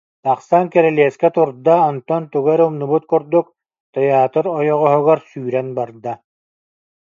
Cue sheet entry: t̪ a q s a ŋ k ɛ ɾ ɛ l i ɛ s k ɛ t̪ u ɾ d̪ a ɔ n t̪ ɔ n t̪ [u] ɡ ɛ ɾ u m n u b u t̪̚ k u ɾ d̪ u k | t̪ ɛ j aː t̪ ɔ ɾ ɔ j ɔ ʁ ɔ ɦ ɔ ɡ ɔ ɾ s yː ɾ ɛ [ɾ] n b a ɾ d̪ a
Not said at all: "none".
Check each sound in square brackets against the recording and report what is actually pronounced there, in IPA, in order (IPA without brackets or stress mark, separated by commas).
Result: u, none